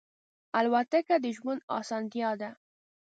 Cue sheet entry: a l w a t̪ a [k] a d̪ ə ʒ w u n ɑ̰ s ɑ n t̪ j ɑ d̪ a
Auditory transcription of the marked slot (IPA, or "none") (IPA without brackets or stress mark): k